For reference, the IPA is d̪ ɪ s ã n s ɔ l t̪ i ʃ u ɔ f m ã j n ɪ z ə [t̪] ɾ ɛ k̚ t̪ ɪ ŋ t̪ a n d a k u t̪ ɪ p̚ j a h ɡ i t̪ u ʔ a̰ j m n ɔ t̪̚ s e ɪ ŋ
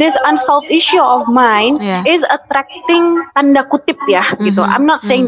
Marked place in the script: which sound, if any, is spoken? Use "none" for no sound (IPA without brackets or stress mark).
t̪